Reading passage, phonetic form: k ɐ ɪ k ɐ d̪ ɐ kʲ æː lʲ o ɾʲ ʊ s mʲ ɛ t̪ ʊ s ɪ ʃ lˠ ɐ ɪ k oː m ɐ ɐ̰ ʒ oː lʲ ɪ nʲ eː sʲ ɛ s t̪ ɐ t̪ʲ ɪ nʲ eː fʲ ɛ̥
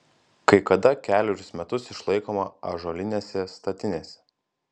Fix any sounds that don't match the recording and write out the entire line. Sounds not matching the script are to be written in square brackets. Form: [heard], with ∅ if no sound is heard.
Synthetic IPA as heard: k ɐ ɪ k ɐ d̪ ɐ kʲ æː lʲ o ɾʲ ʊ s mʲ ɛ t̪ ʊ s ɪ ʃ lˠ ɐ ɪ k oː m ɐ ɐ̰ ʒ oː lʲ ɪ nʲ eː sʲ ɛ s t̪ ɐ t̪ʲ ɪ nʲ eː [sʲ] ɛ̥